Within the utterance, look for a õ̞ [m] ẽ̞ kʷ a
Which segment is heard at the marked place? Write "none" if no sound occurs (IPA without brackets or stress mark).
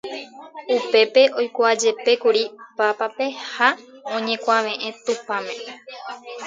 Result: ɲ